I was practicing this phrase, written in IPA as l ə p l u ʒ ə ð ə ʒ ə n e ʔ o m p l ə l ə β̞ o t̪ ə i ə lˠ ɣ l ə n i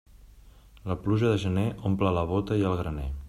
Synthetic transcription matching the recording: l ə p l u ʒ ə ð ə ʒ ə n e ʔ o m p l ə l ə β̞ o t̪ ə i ə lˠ ɣ ɾ ə n e

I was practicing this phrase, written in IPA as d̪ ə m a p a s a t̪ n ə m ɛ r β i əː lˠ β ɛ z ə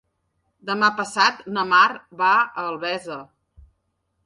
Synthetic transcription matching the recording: d̪ ə m a p ə s a t̪ n ə m a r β a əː lˠ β ɛ z ə

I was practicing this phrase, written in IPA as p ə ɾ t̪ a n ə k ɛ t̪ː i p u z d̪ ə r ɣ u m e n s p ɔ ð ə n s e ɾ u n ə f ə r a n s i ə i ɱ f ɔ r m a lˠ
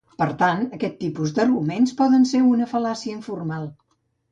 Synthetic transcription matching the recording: p ə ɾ t̪ a n ə k ɛ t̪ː i p u z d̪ ə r ɣ u m e n s p ɔ ð ə n s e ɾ u n ə f ə l a s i ə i ɱ f u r m a lˠ

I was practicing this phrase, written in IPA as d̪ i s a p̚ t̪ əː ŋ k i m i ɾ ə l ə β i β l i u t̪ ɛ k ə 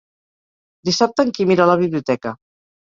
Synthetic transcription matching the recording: d̪ i s a p̚ t̪ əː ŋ k i m i ɾ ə l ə β i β l i u t̪ ɛ k ə

